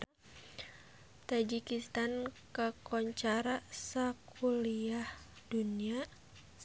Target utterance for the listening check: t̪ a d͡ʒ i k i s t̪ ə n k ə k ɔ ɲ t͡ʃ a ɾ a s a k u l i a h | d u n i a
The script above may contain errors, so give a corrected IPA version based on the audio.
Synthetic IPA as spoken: t̪ a d͡ʒ i k i s t̪ a n k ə k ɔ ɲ t͡ʃ a ɾ a s a k u l i a h | d u n i a